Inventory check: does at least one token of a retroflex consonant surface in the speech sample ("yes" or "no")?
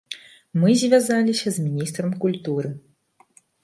no